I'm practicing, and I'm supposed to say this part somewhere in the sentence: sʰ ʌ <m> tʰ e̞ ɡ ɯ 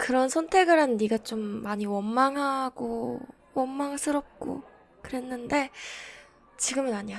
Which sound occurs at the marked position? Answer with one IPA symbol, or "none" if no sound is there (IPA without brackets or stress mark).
n